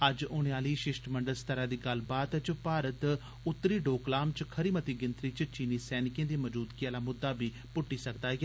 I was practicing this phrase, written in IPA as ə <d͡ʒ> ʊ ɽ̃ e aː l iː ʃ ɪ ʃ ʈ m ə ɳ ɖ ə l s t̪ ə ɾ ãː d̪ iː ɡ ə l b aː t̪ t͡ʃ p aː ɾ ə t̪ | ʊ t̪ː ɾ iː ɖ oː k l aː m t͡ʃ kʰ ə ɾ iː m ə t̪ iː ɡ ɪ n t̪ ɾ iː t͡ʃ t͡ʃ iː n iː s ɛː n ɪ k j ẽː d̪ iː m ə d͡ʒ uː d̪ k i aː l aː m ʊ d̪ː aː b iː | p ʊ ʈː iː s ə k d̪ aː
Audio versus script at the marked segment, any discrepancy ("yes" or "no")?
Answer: no